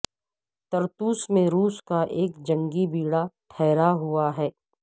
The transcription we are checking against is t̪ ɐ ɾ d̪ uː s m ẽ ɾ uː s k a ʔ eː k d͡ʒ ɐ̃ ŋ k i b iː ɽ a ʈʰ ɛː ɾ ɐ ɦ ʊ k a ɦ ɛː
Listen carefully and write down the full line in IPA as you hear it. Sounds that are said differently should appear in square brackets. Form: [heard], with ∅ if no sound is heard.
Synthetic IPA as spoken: t̪ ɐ ɾ [t̪] uː s m ẽ ɾ uː s k a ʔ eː k d͡ʒ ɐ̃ ŋ [ɡ] i b iː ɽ a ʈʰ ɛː ɾ [a] ɦ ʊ [∅] a ɦ ɛː